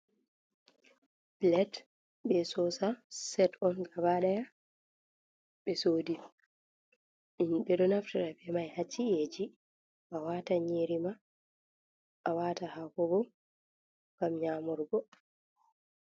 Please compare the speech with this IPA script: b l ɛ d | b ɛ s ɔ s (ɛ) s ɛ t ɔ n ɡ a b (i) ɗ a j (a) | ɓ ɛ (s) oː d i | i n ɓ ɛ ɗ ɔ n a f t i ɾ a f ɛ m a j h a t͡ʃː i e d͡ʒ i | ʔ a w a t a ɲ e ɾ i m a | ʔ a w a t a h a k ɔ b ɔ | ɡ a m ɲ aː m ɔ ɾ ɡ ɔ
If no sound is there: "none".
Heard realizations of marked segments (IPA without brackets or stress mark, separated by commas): a, a, a, s